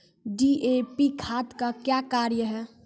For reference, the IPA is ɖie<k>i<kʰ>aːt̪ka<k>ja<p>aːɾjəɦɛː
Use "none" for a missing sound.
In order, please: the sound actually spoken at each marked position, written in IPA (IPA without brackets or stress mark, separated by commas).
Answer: p, kʰ, k, k